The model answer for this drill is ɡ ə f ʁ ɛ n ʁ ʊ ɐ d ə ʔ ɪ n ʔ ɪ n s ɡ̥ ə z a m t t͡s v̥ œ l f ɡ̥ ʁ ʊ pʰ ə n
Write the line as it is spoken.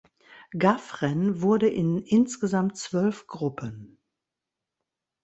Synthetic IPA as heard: ɡ a f ʁ ɛ n v ʊ ɐ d ə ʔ ɪ n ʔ ɪ n s ɡ̥ ə z a m t t͡s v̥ œ l f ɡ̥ ʁ ʊ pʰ ə n

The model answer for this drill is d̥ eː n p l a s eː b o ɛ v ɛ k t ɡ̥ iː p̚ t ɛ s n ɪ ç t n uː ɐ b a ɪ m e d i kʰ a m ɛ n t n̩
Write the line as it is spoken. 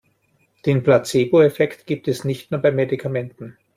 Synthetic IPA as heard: d̥ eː n p l a t͡s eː b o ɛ f ɛ k t ɡ̥ iː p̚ t ɛ s n ɪ ç t n uː ɐ b a ɪ m e d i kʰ a m ɛ n t n̩

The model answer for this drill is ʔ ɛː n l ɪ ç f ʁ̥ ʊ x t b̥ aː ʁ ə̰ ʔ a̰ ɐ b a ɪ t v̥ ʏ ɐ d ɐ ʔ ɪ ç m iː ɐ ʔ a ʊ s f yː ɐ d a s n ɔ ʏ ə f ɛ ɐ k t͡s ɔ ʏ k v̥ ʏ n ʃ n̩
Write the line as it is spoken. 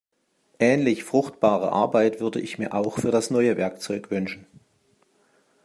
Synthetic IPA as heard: ʔ ɛː n l ɪ ç f ʁ̥ ʊ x t b̥ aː ʁ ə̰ ʔ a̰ ɐ b a ɪ t v̥ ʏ ɐ d ə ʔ ɪ ç m iː ɐ ʔ a ʊ x f yː ɐ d a s n ɔ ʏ ə v ɛ ɐ k t͡s ɔ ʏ k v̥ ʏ n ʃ n̩

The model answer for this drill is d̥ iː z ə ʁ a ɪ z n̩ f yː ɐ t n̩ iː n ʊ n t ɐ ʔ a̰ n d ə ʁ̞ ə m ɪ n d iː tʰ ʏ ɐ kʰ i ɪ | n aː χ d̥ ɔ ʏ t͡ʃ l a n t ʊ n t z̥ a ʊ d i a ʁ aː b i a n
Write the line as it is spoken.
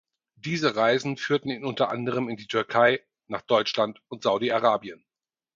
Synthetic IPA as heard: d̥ iː z ə ʁ a ɪ z n̩ f yː ɐ t n̩ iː n ʊ n t ɐ ʔ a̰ n d ə ʁ̞ ə m ɪ n d iː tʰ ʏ ɐ kʰ a ɪ | n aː χ d̥ ɔ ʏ t͡ʃ l a n t ʊ n t z̥ a ʊ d i a ʁ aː b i ə n

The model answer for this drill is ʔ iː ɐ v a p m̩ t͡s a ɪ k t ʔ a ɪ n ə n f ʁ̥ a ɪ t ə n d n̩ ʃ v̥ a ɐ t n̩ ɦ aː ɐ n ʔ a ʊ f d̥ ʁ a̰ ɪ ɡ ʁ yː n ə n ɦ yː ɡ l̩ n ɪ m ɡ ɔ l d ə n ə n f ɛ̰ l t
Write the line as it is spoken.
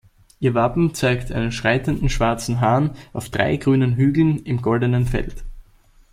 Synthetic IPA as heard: ʔ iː ɐ v a p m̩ t͡s a ɪ k t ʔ a ɪ n ə n ʃ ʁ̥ a ɪ t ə n d n̩ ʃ v̥ a ɐ t͡s n̩ ɦ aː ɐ n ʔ a ʊ f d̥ ʁ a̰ ɪ ɡ ʁ yː n ə n ɦ yː ɡ l̩ n ɪ m ɡ ɔ l d ə n ə n f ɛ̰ l t

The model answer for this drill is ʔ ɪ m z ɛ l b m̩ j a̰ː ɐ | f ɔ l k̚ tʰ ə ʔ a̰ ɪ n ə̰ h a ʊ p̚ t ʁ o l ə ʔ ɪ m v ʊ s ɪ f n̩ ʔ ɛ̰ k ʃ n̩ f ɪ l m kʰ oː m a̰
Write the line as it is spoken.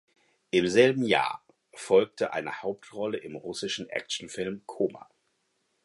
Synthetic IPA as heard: ʔ ɪ m z ɛ l b m̩ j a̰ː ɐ | f ɔ l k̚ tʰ ə ʔ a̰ ɪ n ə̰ h a ʊ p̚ t ʁ ɔ l ə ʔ ɪ m ʁ ʊ s ɪ ʃ n̩ ʔ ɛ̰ k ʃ n̩ f ɪ l m kʰ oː m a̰

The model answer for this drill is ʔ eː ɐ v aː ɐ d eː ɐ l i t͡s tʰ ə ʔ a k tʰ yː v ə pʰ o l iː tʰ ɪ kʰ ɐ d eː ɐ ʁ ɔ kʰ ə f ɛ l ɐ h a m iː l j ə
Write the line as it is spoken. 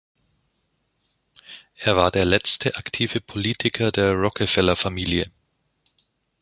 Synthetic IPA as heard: ʔ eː ɐ v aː ɐ d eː ɐ l ɛ t͡s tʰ ə ʔ a k tʰ iː v ə pʰ o l iː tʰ ɪ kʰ ɐ d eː ɐ ʁ ɔ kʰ ə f ɛ l ɐ f a m iː l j ə

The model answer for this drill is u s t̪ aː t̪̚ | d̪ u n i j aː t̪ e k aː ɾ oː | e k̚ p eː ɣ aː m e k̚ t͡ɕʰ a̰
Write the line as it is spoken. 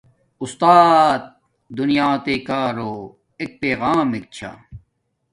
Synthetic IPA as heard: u s t̪ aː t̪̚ | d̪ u n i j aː t̪ e k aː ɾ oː | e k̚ p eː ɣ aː m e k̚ t͡ɕʰ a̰

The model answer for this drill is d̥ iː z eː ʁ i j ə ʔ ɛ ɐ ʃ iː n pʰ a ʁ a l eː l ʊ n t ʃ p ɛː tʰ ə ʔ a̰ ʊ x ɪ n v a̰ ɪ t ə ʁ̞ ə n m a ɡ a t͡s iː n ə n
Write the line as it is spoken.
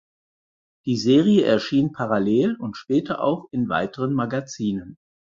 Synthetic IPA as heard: d̥ iː z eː ʁ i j ə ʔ ɛ ɐ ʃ iː n pʰ a ʁ a l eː l ʊ n t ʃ p ɛː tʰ ɐ ʔ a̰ ʊ x ɪ n v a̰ ɪ t ə ʁ̞ ə n m a ɡ a t͡s iː n ə n

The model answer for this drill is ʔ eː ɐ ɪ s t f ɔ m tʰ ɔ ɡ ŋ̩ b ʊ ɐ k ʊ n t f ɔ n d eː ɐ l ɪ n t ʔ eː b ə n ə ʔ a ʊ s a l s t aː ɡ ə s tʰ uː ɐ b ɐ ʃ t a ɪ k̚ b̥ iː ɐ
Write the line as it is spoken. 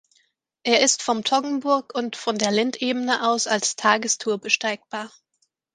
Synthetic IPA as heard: ʔ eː ɐ ɪ s t f ɔ m tʰ ɔ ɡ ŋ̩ b ʊ ɐ k ʊ n t f ɔ n d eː ɐ l ɪ n t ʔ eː b ə n ə ʔ a ʊ s a l s tʰ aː ɡ ə s tʰ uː ɐ b ə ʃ t a ɪ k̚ b̥ aː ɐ

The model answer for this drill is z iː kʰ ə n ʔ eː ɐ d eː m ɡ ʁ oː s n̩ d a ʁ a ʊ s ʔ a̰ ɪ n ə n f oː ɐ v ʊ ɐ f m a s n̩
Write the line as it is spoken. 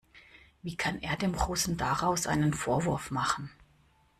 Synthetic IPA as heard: v iː kʰ a n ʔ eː ɐ d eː m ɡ ʁ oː s n̩ d a ʁ a ʊ s ʔ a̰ ɪ n ə n f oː ɐ v ʊ ɐ f m a χ n̩

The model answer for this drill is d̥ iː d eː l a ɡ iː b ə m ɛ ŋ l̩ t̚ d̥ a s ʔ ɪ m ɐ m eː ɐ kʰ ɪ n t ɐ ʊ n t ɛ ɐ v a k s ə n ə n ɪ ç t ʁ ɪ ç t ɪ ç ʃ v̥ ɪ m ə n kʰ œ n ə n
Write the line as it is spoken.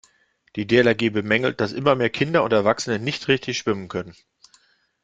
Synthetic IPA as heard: d̥ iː d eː l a ɡ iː b ə m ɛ ŋ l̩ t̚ d̥ a s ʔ ɪ m ɐ m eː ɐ kʰ ɪ n d ɐ ʊ n t ɛ ɐ v a k s ə n ə n ɪ ç t ʁ ɪ ç t ɪ ç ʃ v̥ ɪ m ə n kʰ œ n ə n

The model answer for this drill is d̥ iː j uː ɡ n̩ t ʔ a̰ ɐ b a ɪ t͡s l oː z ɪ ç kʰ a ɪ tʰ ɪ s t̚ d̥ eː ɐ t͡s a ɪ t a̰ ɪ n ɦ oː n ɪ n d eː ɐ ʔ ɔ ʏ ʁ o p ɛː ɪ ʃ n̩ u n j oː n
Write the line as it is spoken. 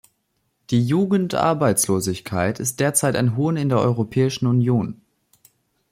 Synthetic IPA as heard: d̥ iː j uː ɡ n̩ t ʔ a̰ ɐ b a ɪ t͡s l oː z ɪ ç kʰ a ɪ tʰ ɪ s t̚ d̥ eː ɐ t͡s a ɪ t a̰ ɪ n ɦ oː n ɪ n d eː ɐ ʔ ɔ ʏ ʁ o pʰ ɛː ɪ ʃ n̩ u n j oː n

